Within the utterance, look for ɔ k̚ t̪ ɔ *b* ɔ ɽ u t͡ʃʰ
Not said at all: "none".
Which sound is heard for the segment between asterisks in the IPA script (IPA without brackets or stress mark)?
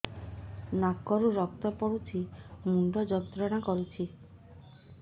p